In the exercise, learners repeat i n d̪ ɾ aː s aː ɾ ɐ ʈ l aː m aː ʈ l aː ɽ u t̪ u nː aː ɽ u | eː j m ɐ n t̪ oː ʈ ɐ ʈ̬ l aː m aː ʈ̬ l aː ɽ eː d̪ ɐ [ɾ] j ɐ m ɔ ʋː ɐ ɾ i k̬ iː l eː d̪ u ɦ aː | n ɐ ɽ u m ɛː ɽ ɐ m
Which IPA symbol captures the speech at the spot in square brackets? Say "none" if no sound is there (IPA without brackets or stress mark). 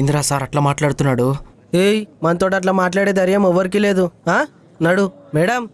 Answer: ɾ